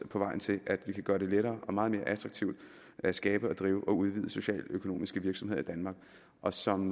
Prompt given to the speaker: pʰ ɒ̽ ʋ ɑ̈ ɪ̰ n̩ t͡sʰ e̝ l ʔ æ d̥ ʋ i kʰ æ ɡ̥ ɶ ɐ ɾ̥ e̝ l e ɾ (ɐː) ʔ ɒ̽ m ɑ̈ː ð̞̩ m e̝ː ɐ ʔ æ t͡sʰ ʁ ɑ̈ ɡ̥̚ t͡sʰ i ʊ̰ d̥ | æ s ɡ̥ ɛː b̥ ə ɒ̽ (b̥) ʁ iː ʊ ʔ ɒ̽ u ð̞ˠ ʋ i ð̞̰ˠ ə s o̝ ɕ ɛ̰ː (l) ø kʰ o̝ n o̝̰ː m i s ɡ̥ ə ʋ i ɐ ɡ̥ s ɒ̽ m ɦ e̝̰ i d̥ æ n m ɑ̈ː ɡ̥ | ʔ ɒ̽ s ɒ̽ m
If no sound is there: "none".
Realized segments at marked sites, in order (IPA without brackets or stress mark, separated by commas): ɐː, d̥, l